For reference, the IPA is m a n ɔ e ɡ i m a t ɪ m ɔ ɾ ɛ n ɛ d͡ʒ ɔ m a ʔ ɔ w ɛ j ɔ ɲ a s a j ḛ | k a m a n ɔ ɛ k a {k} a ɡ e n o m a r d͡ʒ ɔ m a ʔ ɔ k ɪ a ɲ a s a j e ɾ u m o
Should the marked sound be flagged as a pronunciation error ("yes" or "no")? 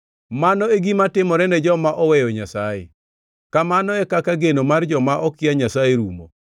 no